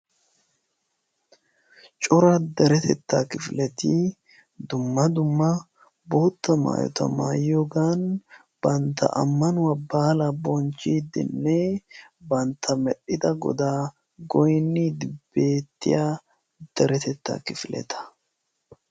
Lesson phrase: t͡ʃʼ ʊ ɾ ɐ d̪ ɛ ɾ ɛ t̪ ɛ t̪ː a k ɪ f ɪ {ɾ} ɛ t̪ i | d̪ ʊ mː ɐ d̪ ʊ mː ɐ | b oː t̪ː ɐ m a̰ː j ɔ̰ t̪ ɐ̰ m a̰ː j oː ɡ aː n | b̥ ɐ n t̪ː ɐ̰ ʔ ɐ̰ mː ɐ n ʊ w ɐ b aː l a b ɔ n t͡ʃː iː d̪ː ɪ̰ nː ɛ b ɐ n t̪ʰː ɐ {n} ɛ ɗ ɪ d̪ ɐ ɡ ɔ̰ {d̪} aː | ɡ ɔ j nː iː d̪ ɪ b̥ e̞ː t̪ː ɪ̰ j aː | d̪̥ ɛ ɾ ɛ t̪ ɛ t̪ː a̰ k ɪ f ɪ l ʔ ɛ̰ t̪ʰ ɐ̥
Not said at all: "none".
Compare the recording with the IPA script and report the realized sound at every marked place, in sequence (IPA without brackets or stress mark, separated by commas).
l, m, d̪